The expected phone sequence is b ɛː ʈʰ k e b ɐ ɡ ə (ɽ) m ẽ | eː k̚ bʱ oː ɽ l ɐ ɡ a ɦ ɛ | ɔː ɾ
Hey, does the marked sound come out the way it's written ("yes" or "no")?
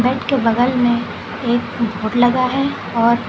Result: no